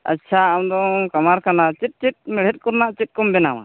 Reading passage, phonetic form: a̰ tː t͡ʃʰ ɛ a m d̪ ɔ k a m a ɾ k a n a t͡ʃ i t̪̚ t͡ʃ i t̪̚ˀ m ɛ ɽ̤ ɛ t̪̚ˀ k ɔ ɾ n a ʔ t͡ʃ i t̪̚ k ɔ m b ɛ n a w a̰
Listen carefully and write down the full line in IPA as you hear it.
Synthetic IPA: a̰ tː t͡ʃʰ a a m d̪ ɔ k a m a ɾ k a n a t͡ʃ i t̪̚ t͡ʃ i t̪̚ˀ m ɛ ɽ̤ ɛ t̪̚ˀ k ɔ ɾ n a ʔ t͡ʃ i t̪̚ k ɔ m b ɛ n a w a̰